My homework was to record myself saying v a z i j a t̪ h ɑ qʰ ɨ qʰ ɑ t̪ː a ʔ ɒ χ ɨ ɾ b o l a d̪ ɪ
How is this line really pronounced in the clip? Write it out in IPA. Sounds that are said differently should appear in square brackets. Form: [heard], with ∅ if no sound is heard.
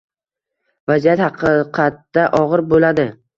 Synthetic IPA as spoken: v a z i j a t̪ h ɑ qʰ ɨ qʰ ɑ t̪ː a ʔ ɒ [ʁ] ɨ ɾ b o l a d̪ ɪ